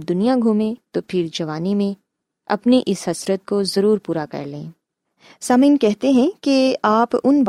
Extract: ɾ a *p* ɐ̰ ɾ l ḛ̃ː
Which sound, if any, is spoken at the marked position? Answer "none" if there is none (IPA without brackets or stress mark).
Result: k